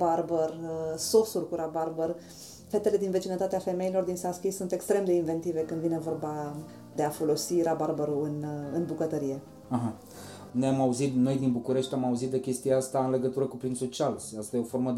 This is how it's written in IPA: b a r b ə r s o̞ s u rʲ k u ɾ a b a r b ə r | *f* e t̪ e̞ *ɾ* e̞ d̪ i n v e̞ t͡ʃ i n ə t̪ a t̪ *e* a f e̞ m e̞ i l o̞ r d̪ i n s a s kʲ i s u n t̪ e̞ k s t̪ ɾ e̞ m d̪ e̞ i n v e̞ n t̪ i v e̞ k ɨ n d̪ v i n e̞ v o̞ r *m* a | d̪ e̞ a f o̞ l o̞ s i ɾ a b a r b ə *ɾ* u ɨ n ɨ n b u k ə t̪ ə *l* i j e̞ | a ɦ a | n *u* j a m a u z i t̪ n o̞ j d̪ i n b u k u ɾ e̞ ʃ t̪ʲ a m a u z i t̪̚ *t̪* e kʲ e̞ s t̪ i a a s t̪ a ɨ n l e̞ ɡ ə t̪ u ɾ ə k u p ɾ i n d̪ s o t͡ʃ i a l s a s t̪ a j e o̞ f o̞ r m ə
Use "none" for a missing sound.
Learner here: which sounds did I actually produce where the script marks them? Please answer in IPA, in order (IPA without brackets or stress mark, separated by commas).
f, l, e, b, ɾ, ɾ, o, d̪